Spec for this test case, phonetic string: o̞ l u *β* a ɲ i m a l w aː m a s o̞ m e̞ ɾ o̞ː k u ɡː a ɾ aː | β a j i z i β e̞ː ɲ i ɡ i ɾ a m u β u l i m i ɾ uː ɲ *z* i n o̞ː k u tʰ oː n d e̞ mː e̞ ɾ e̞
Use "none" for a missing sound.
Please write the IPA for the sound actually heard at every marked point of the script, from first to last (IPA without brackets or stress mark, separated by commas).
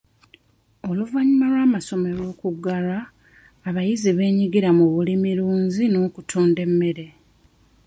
v, z